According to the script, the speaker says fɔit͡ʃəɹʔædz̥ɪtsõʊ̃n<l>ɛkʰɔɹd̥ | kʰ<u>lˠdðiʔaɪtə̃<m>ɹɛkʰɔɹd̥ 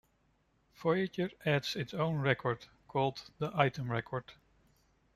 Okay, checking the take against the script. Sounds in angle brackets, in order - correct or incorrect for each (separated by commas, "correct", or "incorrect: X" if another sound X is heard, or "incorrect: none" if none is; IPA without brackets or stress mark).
incorrect: ɹ, incorrect: ɔ, correct